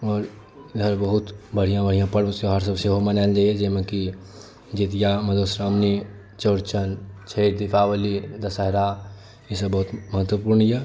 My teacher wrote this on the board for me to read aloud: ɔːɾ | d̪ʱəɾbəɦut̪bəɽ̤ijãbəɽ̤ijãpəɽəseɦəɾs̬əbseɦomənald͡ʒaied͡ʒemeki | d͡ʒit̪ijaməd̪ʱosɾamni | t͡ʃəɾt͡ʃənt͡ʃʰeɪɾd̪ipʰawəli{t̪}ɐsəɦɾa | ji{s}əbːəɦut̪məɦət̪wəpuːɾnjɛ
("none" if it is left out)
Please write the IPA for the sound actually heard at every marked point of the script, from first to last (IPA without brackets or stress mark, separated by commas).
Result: d̪, s